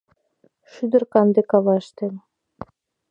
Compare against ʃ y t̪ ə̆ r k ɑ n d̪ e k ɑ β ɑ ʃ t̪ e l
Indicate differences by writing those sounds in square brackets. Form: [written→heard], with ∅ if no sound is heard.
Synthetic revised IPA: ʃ y [t̪→d̪] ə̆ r k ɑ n d̪ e k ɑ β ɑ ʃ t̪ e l